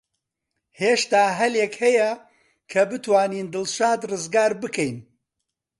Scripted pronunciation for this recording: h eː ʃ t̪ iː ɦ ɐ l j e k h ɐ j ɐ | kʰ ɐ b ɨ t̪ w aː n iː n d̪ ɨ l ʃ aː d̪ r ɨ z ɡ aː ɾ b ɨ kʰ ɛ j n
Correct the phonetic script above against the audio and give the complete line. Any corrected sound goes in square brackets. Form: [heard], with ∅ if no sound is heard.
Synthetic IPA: h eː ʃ t̪ [aː] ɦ ɐ l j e k h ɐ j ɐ | kʰ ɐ b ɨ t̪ w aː n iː n d̪ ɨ l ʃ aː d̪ r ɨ z ɡ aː ɾ b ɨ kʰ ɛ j n